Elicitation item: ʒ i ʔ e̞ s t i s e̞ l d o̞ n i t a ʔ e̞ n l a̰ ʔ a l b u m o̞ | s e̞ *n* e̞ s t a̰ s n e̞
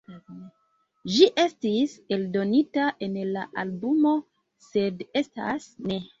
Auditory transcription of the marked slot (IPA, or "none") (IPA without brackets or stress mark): d